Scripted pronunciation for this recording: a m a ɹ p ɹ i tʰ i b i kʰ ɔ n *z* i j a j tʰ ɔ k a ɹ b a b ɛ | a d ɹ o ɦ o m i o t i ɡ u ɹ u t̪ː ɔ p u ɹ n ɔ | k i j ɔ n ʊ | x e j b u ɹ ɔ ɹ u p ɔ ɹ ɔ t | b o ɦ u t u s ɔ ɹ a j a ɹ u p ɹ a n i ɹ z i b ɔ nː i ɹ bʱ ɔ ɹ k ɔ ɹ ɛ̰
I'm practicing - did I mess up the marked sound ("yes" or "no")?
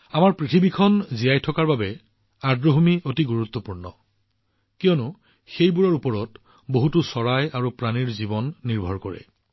no